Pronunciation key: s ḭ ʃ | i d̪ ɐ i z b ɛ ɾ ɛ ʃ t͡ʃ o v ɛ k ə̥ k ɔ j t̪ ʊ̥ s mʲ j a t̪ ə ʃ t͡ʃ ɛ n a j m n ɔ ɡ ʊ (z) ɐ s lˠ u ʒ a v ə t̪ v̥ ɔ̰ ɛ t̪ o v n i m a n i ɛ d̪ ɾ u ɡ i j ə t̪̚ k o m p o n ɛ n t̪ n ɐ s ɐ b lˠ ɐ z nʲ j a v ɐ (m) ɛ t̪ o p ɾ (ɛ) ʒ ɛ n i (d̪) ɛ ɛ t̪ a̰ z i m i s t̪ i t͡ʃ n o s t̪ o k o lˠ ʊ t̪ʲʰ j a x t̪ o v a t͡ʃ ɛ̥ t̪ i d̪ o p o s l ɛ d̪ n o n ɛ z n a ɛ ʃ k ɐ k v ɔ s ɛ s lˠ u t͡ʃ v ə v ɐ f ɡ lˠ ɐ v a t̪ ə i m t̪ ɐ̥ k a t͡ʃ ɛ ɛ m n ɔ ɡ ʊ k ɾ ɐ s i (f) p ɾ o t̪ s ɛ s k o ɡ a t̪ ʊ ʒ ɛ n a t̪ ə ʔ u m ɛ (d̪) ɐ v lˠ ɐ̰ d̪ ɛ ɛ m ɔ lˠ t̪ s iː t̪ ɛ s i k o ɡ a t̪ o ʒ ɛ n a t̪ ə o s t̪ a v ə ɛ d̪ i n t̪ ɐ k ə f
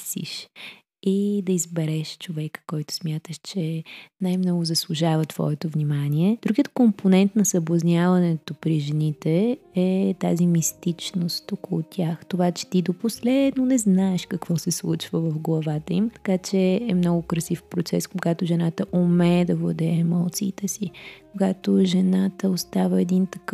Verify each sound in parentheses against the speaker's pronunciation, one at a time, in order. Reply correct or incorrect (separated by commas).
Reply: correct, incorrect, incorrect, incorrect, correct, correct